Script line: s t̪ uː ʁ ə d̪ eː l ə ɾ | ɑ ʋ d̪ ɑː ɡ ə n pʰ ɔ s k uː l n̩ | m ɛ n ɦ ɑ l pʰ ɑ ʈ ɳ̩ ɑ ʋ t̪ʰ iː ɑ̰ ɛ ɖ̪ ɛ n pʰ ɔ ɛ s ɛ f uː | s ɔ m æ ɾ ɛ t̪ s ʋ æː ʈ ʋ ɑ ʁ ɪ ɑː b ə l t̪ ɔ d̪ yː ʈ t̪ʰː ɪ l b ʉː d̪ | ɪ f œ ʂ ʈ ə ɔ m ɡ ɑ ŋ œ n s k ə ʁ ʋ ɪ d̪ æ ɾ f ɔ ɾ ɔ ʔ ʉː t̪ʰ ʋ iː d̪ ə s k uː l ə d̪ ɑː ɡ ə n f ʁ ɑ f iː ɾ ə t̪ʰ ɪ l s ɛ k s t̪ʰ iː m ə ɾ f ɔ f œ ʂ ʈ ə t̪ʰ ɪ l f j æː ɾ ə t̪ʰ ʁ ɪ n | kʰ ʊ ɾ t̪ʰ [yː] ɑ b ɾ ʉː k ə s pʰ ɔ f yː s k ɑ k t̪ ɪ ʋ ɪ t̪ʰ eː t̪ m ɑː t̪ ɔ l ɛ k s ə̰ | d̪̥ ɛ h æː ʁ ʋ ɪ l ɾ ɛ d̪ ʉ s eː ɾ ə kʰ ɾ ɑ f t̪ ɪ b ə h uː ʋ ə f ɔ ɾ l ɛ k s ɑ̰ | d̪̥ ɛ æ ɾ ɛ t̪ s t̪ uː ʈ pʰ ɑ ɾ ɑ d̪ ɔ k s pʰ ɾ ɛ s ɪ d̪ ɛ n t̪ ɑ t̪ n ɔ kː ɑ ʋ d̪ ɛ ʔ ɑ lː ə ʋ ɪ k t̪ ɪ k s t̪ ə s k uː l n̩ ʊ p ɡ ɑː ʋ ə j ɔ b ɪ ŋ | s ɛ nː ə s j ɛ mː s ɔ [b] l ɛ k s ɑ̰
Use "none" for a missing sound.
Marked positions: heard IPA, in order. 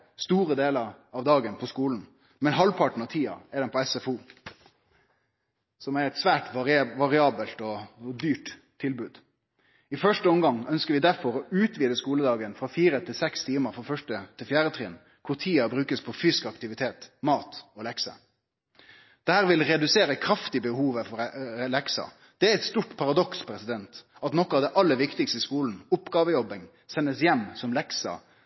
iː, m

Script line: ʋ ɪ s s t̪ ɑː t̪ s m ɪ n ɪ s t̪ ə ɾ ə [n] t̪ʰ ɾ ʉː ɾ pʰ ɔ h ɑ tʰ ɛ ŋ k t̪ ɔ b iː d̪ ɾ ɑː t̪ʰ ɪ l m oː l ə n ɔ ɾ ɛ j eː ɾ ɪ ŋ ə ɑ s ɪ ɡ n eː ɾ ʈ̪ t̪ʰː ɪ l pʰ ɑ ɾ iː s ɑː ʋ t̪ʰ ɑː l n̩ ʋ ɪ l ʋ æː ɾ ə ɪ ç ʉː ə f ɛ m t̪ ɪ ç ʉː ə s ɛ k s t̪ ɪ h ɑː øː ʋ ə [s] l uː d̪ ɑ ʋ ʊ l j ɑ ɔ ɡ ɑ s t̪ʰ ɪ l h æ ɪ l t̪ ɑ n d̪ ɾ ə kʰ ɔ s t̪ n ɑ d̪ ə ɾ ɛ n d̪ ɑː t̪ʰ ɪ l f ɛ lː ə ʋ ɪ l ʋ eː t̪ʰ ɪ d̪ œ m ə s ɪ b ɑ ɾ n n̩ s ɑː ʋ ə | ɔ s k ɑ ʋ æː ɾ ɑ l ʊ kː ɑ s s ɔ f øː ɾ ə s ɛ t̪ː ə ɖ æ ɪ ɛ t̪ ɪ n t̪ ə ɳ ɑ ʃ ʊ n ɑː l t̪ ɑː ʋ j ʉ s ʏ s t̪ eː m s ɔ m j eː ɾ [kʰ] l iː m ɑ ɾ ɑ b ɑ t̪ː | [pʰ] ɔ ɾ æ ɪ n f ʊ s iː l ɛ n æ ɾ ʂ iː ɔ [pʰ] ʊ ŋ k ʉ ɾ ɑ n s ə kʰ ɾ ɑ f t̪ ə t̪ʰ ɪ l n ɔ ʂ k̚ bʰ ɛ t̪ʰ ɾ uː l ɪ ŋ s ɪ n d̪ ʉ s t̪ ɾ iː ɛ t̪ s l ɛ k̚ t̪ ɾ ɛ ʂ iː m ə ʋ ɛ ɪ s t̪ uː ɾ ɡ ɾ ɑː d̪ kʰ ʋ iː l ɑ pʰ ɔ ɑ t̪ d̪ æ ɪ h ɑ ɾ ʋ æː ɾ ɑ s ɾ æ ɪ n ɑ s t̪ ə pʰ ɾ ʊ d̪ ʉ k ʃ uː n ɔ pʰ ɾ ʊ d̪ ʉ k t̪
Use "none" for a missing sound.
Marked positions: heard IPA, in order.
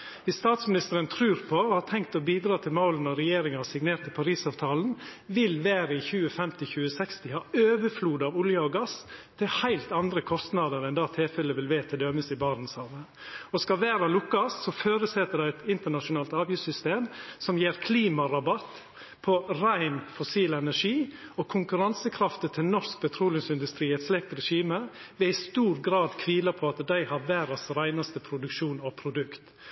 n, f, kʰ, pʰ, kʰ

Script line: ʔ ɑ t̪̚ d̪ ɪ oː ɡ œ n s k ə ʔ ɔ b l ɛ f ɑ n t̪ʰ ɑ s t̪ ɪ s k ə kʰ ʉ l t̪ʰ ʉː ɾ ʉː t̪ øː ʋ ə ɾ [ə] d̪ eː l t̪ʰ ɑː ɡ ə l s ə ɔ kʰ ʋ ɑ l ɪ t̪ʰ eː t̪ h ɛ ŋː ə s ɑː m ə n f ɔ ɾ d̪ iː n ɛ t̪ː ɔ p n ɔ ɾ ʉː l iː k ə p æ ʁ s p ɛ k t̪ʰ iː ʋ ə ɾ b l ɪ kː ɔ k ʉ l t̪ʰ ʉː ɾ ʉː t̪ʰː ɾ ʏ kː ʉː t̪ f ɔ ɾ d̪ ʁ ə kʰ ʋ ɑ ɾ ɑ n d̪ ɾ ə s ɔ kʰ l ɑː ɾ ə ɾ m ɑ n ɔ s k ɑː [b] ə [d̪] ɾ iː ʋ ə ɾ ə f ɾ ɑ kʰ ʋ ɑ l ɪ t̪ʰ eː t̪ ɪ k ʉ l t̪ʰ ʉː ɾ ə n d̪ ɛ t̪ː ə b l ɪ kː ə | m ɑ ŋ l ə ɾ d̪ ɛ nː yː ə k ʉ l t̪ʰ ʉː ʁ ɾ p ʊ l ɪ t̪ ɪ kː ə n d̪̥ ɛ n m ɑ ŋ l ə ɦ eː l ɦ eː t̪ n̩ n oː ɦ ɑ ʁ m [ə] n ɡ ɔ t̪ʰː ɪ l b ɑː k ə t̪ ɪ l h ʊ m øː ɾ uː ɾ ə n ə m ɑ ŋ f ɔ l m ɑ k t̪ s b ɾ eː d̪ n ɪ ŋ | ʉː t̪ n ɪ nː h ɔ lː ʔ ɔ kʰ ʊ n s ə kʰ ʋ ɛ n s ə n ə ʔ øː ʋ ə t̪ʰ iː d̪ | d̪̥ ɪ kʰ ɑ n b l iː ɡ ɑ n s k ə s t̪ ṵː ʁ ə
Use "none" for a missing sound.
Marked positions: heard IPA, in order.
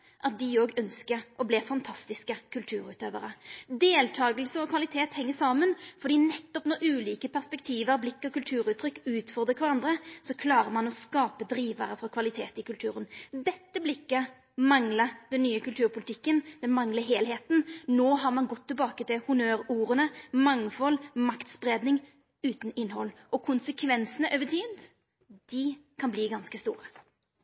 ə, p, d̪, ɑ

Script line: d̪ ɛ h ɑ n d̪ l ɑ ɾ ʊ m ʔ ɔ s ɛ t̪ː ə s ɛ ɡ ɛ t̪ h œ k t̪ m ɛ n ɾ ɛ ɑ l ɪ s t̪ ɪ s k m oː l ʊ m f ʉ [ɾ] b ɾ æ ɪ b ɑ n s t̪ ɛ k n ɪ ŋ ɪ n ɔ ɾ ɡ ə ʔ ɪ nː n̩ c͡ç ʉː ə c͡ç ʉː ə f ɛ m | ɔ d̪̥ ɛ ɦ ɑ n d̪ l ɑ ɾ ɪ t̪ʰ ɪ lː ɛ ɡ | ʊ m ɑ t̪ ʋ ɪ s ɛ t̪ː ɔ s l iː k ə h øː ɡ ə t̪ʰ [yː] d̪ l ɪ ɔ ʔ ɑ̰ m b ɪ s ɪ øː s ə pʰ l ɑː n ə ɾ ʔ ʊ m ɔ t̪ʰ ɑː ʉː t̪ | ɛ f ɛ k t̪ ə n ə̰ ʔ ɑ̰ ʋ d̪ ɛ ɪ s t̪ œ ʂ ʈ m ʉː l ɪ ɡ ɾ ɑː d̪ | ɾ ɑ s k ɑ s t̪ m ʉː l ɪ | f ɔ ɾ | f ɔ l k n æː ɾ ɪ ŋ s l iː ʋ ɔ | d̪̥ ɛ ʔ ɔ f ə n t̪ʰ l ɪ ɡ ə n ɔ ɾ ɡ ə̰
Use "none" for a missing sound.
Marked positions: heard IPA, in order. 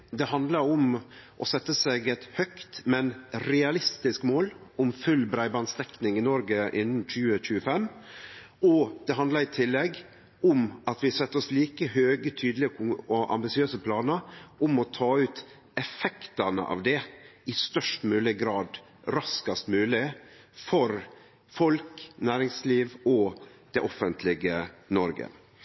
l, yː

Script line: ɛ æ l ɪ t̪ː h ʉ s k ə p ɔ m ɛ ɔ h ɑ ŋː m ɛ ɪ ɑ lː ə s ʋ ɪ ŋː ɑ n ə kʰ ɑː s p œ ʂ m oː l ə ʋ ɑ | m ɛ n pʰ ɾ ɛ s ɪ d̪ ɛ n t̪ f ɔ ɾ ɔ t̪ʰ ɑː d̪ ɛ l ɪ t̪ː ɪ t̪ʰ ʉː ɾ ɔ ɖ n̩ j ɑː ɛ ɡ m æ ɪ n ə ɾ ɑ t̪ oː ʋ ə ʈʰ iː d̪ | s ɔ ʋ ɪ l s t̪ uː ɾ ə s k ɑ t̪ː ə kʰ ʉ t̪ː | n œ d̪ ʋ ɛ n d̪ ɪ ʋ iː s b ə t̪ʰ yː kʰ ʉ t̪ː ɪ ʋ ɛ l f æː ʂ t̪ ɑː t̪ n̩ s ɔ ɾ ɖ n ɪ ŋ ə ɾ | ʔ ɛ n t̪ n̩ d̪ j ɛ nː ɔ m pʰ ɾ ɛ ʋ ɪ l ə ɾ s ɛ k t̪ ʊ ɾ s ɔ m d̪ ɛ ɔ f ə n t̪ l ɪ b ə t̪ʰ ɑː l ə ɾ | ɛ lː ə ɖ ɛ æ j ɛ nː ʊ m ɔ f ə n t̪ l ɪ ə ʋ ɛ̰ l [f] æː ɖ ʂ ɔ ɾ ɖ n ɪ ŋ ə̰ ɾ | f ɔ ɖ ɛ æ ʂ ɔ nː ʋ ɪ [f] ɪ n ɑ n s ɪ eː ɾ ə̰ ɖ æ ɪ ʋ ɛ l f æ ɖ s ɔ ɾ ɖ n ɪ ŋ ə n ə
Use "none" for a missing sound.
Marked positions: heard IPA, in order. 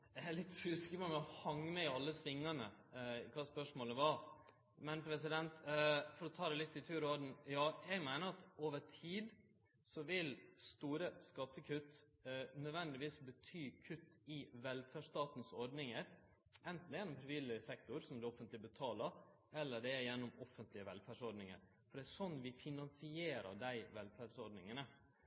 f, f

